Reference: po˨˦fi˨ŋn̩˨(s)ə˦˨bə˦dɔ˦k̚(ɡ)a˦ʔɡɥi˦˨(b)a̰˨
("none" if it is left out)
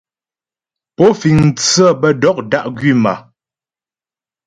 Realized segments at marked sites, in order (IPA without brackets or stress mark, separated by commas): t͡s, d, m